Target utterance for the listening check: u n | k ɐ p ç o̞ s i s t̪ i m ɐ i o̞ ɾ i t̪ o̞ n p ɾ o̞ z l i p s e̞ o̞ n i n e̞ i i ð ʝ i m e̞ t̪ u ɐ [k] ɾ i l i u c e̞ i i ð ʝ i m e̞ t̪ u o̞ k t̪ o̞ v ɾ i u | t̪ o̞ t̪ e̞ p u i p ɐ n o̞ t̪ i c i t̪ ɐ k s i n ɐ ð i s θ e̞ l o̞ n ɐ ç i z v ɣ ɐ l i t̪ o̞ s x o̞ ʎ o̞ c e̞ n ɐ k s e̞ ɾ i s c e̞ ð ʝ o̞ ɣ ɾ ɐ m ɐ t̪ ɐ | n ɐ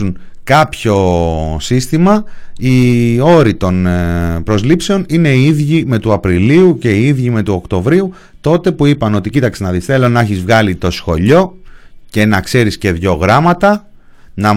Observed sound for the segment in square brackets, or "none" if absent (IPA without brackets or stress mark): p